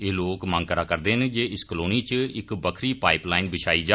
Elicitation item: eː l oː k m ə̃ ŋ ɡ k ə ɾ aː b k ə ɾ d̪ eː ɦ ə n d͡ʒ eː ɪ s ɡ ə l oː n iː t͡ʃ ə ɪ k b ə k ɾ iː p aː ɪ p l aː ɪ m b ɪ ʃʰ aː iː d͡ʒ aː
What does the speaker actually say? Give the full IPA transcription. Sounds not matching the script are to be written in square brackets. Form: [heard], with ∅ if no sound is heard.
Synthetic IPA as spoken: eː l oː k m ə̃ ŋ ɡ k ə ɾ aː [∅] k ə ɾ d̪ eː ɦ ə n d͡ʒ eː ɪ s [k] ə l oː n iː t͡ʃ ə ɪ k b ə [kʰ] ɾ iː p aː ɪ p l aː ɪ [n] b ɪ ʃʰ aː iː d͡ʒ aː